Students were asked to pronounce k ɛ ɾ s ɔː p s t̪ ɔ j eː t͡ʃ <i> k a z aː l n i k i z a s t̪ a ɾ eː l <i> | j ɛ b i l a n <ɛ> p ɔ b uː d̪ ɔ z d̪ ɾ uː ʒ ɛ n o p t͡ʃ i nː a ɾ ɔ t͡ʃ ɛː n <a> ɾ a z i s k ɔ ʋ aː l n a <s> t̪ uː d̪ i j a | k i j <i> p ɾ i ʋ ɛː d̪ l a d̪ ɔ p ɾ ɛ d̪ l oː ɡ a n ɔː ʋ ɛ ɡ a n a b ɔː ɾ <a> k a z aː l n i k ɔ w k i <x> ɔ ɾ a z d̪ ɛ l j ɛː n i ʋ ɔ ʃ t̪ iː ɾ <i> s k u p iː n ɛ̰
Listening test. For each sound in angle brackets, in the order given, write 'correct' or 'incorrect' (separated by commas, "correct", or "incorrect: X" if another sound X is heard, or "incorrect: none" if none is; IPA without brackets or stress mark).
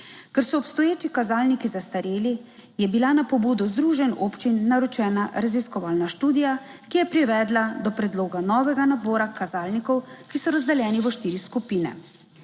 correct, correct, incorrect: a, correct, incorrect: ʃ, incorrect: ɛ, correct, incorrect: s, correct